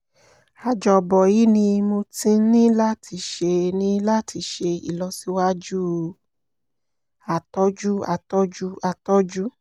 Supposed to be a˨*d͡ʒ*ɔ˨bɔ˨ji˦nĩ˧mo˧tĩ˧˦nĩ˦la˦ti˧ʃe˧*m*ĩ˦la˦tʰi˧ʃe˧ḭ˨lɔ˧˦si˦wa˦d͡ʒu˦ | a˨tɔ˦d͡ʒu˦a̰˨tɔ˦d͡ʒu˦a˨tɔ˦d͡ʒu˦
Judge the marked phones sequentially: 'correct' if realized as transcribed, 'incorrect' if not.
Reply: correct, incorrect: n

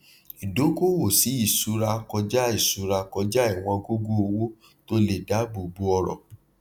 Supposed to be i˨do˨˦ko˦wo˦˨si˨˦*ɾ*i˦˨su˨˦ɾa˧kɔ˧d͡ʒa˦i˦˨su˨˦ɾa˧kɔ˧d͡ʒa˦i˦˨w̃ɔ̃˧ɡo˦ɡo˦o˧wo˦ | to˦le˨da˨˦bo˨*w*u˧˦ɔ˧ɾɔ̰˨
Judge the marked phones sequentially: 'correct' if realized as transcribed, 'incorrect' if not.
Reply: incorrect: none, incorrect: b

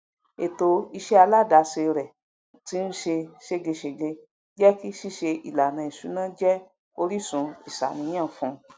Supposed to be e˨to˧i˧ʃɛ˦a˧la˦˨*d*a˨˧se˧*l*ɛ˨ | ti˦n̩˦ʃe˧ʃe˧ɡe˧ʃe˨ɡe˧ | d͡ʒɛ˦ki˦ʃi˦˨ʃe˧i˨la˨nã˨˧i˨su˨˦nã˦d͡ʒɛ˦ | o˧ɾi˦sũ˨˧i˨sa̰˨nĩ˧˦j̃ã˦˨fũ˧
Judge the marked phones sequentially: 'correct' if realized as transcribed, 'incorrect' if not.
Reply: correct, incorrect: ɾ

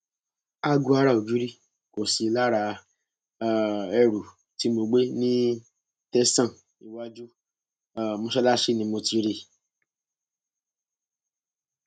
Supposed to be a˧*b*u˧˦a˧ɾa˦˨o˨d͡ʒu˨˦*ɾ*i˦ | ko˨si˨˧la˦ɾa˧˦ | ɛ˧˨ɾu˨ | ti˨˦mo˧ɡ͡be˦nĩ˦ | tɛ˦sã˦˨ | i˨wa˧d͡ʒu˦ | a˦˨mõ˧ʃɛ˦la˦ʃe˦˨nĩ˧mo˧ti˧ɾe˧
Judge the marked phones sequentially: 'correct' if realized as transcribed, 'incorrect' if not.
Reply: incorrect: ɡ, correct

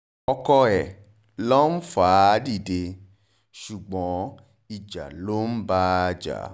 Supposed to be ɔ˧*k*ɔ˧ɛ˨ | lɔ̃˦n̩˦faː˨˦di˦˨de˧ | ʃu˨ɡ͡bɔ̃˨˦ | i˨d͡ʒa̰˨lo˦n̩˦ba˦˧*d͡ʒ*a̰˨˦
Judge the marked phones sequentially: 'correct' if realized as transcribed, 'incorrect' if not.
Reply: correct, correct

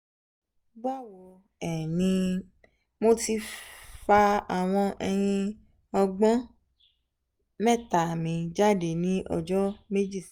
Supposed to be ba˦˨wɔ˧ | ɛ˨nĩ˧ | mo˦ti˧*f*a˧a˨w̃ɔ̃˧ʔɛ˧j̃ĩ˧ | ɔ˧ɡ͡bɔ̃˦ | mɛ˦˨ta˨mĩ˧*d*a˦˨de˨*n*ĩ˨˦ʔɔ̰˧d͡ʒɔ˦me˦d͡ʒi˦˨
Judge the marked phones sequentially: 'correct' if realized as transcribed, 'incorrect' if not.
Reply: correct, incorrect: d͡ʒ, correct

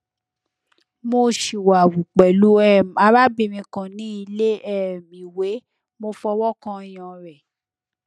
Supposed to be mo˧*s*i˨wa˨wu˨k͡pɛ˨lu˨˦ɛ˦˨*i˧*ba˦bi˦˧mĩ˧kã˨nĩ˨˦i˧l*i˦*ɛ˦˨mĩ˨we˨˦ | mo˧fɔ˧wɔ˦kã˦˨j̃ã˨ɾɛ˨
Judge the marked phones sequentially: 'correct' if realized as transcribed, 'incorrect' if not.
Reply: incorrect: ʃ, incorrect: a˧, incorrect: e˦

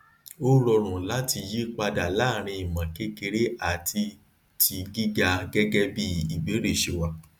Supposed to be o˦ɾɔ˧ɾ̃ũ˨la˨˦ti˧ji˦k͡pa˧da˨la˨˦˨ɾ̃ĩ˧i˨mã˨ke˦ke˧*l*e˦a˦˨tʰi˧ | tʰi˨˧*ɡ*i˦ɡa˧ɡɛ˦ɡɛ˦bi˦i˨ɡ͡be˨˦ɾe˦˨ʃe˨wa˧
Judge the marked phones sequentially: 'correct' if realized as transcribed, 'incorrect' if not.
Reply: incorrect: ɾ, correct

